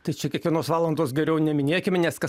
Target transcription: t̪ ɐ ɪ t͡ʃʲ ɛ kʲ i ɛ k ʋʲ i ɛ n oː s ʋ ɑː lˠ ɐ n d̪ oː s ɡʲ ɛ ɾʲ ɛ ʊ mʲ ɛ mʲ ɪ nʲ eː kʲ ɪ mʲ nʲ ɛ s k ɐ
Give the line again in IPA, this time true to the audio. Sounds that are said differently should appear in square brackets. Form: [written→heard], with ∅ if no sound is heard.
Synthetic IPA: t̪ ɐ ɪ t͡ʃʲ ɛ kʲ i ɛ k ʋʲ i ɛ n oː s ʋ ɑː lˠ ɐ n d̪ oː s ɡʲ ɛ ɾʲ ɛ ʊ [mʲ→nʲ] ɛ mʲ ɪ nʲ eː kʲ ɪ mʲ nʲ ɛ s k ɐ

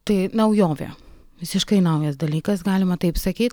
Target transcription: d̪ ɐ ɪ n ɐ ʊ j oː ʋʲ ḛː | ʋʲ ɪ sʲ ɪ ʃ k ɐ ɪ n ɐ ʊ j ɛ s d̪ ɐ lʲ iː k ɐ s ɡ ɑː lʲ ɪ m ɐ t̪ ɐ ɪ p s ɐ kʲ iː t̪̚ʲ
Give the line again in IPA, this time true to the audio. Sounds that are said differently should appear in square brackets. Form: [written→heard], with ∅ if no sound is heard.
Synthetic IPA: [d̪→t̪] ɐ ɪ n ɐ ʊ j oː ʋʲ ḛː | ʋʲ ɪ sʲ ɪ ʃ k ɐ ɪ n ɐ ʊ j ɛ s d̪ ɐ lʲ iː k ɐ s ɡ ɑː lʲ ɪ m ɐ t̪ ɐ ɪ p s ɐ kʲ iː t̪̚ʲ

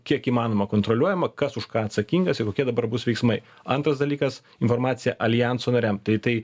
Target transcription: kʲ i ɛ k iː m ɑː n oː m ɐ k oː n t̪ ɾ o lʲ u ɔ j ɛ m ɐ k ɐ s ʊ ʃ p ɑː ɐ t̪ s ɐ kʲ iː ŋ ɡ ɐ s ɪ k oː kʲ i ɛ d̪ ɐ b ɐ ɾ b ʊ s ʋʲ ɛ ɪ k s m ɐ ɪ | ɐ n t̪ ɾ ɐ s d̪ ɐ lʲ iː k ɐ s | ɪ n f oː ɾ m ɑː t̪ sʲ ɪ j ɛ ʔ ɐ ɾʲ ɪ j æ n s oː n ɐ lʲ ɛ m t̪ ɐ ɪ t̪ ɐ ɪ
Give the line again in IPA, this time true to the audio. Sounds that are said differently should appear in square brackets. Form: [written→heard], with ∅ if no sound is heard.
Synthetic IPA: kʲ i ɛ k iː m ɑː n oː m ɐ k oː n t̪ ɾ o lʲ u ɔ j ɛ m ɐ k ɐ s ʊ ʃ [p→k] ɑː ɐ t̪ s ɐ kʲ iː ŋ ɡ ɐ s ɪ k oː kʲ i ɛ d̪ ɐ b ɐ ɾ b ʊ s ʋʲ ɛ ɪ k s m ɐ ɪ | ɐ n t̪ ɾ ɐ s d̪ ɐ lʲ iː k ɐ s | ɪ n f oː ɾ m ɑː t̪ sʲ ɪ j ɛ ʔ ɐ [ɾʲ→lʲ] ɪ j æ n s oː n ɐ [lʲ→ɾʲ] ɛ m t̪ ɐ ɪ t̪ ɐ ɪ

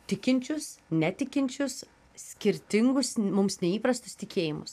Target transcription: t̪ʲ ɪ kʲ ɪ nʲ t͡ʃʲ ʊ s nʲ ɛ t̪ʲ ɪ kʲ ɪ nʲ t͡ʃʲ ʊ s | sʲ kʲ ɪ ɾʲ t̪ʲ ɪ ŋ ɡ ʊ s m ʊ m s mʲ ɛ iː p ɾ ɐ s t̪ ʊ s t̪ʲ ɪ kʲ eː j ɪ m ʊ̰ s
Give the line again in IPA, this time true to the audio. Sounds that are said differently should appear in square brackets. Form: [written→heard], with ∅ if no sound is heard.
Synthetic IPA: t̪ʲ ɪ kʲ ɪ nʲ t͡ʃʲ ʊ s nʲ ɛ t̪ʲ ɪ kʲ ɪ nʲ t͡ʃʲ ʊ s | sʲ kʲ ɪ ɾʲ t̪ʲ ɪ ŋ ɡ ʊ s m ʊ m s [mʲ→nʲ] ɛ iː p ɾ ɐ s t̪ ʊ s t̪ʲ ɪ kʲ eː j ɪ m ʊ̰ s

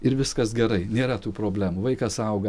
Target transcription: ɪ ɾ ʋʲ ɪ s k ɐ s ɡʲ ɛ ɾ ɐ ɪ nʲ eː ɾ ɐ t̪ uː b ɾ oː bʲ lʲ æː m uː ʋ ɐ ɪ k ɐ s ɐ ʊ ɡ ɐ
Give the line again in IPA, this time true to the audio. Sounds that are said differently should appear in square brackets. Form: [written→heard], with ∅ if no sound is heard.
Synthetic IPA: ɪ ɾ ʋʲ ɪ s k ɐ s ɡʲ ɛ ɾ ɐ ɪ nʲ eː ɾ ɐ t̪ uː [b→p] ɾ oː bʲ lʲ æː m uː ʋ ɐ ɪ k ɐ s ɐ ʊ ɡ ɐ

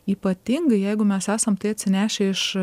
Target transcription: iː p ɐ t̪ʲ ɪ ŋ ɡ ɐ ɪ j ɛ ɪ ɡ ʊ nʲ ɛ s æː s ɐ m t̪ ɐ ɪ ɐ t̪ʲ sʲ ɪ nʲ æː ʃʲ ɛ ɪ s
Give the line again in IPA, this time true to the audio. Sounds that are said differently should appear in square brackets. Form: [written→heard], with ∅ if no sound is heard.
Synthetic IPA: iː p ɐ t̪ʲ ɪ ŋ ɡ ɐ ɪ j ɛ ɪ ɡ ʊ [nʲ→mʲ] ɛ s æː s ɐ m t̪ ɐ ɪ ɐ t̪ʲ sʲ ɪ nʲ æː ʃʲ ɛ ɪ [s→ʃ]

